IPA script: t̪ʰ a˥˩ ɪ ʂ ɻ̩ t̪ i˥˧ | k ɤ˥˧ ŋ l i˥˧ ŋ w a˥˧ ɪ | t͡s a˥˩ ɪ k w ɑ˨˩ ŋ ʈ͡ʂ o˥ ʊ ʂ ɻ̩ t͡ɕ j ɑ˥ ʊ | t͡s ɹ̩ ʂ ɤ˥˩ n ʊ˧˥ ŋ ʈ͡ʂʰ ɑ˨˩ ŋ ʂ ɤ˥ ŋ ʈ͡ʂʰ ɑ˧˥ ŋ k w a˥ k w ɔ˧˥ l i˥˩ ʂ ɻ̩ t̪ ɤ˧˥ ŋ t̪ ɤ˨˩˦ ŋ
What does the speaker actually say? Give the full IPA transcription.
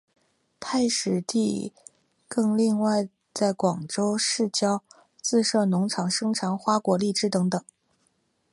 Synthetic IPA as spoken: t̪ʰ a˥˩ ɪ ʂ ɻ̩ t̪ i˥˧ | k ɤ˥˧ ŋ l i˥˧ ŋ w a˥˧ ɪ | t͡s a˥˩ ɪ k w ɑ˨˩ ŋ ʈ͡ʂ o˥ ʊ ʂ ɻ̩ t͡ɕ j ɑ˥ ʊ | t͡s ɹ̩ ʂ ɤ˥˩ n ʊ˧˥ ŋ ʈ͡ʂʰ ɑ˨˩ ŋ ʂ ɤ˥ ŋ ʈ͡ʂʰ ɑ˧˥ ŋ x w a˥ k w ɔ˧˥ l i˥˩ ʈ͡ʂ ɻ̩ t̪ ɤ˧˥ ŋ t̪ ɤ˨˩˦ ŋ

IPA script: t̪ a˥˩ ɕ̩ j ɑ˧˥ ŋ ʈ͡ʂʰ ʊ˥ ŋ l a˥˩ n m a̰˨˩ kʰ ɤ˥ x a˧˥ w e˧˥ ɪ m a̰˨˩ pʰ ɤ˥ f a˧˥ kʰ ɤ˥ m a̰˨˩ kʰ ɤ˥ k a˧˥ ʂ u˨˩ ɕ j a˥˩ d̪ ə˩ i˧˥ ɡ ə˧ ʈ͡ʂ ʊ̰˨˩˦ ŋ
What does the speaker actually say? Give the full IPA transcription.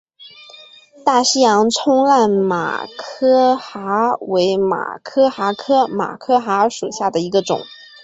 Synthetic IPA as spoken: t̪ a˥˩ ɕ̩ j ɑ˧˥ ŋ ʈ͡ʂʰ ʊ˥ ŋ l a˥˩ n m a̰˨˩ kʰ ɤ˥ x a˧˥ w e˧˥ ɪ m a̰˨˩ kʰ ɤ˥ x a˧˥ kʰ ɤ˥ m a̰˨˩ kʰ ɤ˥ x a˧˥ ʂ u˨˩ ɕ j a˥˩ d̪ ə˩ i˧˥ ɡ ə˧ ʈ͡ʂ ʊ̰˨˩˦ ŋ

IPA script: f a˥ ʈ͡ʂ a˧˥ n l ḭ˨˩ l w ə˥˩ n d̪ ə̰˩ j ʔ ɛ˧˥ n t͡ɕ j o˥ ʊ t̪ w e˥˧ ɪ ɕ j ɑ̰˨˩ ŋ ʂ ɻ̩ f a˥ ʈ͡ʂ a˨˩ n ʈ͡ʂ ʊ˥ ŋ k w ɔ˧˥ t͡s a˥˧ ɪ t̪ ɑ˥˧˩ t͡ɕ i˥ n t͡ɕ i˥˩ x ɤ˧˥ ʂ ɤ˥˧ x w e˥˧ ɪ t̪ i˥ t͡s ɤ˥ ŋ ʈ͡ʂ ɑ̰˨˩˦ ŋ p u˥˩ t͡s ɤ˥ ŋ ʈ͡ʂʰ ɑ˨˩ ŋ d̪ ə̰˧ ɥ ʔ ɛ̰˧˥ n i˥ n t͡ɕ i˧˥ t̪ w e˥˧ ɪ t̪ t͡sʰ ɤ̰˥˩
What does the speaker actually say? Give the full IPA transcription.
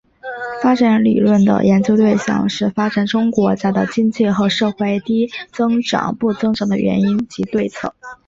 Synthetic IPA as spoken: f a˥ ʈ͡ʂ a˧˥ n l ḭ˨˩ l w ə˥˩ n d̪ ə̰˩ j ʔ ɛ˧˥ n t͡ɕ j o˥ ʊ t̪ w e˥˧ ɪ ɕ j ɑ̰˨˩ ŋ ʂ ɻ̩ f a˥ ʈ͡ʂ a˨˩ n ʈ͡ʂ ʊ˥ ŋ k w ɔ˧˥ t͡s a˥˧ ɪ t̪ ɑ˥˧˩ t͡ɕ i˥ n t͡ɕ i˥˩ x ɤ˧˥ ʂ ɤ˥˧ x w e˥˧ ɪ t̪ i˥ t͡s ɤ˥ ŋ ʈ͡ʂ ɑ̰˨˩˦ ŋ p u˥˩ t͡s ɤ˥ ŋ ʈ͡ʂ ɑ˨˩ ŋ d̪ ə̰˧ ɥ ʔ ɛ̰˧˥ n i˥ n t͡ɕ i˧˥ t̪ w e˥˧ ɪ t͡sʰ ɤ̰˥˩

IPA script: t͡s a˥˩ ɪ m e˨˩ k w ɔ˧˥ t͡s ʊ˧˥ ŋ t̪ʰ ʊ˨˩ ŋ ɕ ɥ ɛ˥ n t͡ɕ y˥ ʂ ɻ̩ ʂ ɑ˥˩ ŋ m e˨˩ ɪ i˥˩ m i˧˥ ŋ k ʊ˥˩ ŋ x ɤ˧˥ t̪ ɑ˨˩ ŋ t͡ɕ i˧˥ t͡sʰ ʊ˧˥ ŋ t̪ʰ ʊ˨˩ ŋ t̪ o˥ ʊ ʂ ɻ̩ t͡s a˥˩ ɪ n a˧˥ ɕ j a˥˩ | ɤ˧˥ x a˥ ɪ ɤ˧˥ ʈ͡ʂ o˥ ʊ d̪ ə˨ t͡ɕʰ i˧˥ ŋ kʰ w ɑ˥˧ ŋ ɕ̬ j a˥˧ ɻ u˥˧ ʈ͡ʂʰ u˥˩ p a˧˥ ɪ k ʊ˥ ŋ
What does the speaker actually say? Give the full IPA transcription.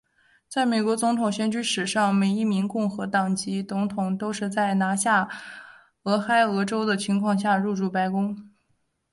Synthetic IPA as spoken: t͡s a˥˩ ɪ m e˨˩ k w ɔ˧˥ t͡s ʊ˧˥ ŋ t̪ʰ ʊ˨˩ ŋ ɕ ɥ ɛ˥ n t͡ɕ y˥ ʂ ɻ̩ ʂ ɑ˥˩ ŋ m e˨˩ ɪ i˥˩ m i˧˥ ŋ k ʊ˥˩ ŋ x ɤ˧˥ t̪ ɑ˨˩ ŋ t͡ɕ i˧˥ t͡s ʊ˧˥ ŋ t̪ʰ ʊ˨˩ ŋ t̪ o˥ ʊ ʂ ɻ̩ t͡s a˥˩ ɪ n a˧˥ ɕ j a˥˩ | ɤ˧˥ x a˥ ɪ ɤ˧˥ ʈ͡ʂ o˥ ʊ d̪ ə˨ t͡ɕʰ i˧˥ ŋ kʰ w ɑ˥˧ ŋ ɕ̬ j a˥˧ ɻ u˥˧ ʈ͡ʂ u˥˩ p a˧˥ ɪ k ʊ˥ ŋ

